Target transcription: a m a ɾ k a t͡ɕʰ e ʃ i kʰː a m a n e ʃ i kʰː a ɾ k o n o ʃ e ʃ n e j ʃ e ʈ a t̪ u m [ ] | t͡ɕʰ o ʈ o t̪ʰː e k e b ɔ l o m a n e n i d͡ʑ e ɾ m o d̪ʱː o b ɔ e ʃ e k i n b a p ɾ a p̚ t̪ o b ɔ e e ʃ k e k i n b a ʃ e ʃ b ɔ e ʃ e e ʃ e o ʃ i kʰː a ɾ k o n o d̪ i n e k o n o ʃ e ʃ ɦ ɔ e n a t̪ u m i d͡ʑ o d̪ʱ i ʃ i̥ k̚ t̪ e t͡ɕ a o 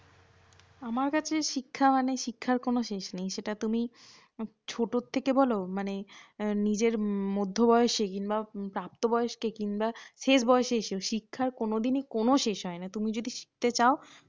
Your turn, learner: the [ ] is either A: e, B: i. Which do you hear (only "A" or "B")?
B